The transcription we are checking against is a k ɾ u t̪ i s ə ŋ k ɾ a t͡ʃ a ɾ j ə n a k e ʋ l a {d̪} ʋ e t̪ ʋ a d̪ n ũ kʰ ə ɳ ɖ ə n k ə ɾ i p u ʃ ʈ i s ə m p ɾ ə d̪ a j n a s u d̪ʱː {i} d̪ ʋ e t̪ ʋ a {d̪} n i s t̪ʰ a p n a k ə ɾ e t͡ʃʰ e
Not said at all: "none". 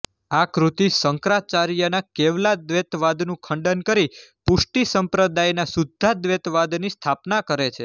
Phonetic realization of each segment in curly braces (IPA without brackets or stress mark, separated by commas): d̪, a, d̪